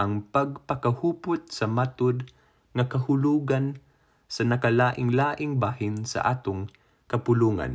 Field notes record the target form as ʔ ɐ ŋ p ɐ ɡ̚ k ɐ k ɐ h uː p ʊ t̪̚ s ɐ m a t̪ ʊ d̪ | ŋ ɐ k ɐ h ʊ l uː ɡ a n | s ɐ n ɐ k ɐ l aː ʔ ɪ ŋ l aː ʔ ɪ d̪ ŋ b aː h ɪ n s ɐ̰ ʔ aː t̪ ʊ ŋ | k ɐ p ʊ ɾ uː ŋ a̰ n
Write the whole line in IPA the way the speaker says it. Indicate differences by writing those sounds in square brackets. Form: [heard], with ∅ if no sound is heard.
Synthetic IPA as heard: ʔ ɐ ŋ p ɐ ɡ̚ [p] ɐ k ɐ h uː p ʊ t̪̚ s ɐ m a t̪ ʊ d̪ | ŋ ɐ k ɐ h ʊ l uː ɡ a n | s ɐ n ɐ k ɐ l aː ʔ ɪ ŋ l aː ʔ ɪ [∅] ŋ b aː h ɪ n s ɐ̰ ʔ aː t̪ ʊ ŋ | k ɐ p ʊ [l] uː ŋ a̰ n